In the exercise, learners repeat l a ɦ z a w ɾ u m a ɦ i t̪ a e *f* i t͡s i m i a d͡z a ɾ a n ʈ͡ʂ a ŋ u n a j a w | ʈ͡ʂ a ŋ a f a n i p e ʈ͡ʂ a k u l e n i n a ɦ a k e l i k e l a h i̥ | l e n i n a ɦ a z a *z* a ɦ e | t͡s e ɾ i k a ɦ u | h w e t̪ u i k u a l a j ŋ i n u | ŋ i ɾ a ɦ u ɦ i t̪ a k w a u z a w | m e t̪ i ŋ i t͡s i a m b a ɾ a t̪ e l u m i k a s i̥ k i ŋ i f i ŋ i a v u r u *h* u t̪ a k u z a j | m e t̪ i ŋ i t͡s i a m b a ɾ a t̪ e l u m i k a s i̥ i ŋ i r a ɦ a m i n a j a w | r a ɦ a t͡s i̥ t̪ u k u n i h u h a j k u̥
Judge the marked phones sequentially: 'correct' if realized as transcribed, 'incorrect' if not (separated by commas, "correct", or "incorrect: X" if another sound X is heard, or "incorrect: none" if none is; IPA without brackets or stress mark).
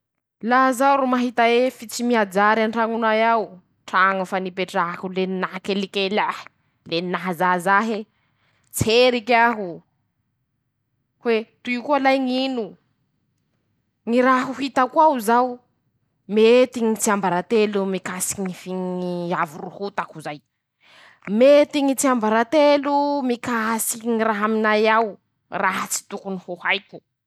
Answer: correct, correct, correct